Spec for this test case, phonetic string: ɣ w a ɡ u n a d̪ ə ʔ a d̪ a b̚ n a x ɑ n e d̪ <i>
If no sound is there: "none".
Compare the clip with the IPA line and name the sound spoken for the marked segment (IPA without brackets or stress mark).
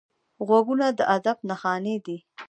i